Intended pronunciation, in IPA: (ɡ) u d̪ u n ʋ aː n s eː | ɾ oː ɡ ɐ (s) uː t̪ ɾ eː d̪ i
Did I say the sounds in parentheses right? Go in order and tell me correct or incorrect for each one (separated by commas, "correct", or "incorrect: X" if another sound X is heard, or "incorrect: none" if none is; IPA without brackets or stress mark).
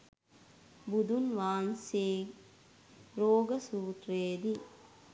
incorrect: b, correct